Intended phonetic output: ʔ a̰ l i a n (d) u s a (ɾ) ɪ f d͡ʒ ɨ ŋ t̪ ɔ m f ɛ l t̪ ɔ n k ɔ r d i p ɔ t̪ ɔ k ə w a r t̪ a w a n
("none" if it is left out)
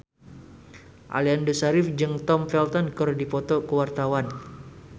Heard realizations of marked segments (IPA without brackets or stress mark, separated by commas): d, ɾ